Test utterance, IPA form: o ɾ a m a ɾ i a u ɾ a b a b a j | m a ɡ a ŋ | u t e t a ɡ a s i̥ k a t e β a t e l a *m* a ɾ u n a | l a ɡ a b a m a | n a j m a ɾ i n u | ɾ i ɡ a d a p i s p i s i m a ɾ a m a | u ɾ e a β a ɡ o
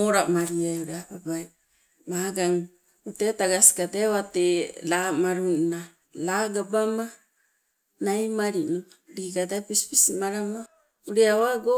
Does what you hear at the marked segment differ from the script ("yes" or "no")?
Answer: no